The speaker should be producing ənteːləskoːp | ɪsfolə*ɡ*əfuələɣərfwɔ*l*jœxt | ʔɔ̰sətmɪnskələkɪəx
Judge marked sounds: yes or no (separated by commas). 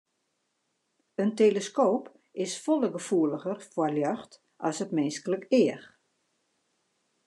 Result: yes, yes